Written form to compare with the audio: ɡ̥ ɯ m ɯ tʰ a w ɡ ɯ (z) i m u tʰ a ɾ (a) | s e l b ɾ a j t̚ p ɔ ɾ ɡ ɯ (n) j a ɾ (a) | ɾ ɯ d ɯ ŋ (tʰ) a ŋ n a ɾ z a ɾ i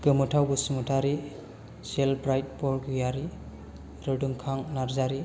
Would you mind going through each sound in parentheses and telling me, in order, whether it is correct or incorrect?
incorrect, incorrect, incorrect, incorrect, incorrect

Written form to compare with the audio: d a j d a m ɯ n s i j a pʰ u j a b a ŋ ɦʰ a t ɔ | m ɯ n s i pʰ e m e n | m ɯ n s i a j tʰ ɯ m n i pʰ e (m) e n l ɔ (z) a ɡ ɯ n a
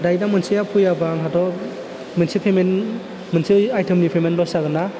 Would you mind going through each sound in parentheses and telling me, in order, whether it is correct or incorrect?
correct, incorrect

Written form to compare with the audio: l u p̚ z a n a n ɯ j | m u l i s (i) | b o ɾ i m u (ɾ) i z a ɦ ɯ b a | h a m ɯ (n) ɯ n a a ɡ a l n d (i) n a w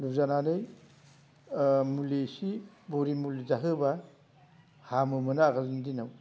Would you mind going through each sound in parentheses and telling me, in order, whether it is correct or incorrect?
correct, incorrect, incorrect, correct

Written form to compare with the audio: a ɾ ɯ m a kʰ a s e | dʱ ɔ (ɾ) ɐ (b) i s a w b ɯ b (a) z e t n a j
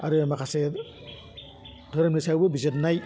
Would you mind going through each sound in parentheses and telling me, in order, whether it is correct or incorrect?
correct, incorrect, incorrect

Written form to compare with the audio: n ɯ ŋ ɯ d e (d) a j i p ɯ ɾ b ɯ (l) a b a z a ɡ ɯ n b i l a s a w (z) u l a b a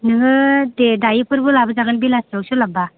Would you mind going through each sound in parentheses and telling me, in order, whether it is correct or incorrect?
correct, correct, incorrect

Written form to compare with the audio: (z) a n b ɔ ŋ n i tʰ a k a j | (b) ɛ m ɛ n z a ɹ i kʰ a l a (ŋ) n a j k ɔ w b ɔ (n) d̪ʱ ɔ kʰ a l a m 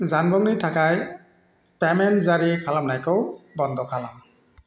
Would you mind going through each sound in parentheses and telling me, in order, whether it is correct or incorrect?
correct, incorrect, incorrect, correct

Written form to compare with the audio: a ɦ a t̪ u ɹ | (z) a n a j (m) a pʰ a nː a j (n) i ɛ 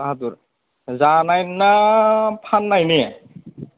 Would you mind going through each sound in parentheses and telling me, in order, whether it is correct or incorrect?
correct, incorrect, correct

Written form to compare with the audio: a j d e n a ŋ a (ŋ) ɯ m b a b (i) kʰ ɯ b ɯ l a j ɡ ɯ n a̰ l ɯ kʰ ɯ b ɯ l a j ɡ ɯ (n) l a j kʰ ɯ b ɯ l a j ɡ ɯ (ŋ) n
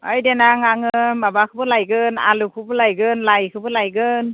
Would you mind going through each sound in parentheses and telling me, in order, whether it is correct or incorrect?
correct, incorrect, correct, incorrect

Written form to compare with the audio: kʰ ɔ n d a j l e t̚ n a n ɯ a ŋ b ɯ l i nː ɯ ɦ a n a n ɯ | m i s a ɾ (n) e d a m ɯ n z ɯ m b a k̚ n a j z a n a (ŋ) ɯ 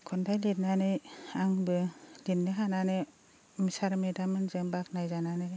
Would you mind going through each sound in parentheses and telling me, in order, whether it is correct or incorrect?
incorrect, incorrect

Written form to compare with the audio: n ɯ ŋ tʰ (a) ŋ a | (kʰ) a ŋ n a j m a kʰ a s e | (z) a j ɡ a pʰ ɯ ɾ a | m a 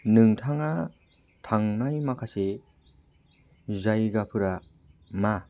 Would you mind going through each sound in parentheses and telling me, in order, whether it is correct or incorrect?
correct, incorrect, correct

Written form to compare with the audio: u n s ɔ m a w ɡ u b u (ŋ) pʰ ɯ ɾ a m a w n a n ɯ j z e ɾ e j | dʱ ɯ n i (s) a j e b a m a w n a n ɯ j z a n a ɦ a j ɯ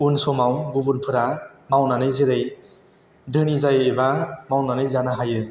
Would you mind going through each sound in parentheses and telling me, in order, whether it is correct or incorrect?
incorrect, incorrect

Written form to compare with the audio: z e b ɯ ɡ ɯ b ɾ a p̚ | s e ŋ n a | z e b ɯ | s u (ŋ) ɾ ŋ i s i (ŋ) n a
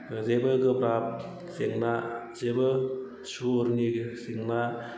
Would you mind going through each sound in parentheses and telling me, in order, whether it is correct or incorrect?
incorrect, correct

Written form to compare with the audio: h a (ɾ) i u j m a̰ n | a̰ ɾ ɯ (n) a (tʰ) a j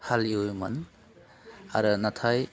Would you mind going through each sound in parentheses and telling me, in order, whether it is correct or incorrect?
incorrect, correct, correct

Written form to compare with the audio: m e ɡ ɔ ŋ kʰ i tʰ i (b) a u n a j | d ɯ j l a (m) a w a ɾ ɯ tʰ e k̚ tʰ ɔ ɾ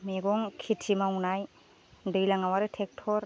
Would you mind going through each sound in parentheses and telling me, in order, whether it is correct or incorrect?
incorrect, incorrect

